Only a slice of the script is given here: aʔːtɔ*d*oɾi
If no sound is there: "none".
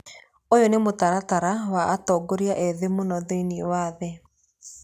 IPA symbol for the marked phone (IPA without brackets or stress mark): ɡ